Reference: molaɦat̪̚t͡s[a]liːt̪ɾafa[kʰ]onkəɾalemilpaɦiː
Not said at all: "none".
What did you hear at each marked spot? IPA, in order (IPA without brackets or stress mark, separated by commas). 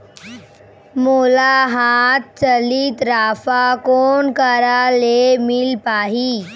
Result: ə, k